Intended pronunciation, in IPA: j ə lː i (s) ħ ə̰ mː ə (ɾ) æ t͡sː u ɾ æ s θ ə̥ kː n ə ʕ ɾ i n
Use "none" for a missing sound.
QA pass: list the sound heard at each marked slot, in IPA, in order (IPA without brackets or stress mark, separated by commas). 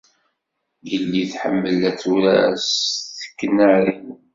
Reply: θ, l